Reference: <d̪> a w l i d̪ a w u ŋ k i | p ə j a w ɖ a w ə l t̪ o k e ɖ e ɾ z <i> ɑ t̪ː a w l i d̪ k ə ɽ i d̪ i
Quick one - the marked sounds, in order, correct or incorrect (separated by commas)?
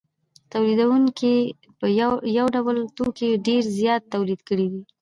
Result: incorrect, incorrect